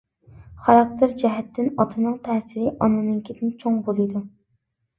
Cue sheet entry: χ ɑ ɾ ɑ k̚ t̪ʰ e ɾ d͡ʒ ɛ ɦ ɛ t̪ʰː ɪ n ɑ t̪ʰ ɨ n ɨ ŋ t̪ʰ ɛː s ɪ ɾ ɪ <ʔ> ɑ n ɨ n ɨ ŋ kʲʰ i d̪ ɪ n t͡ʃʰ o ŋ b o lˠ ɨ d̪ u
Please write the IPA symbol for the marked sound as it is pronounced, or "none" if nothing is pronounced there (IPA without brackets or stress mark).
ʔ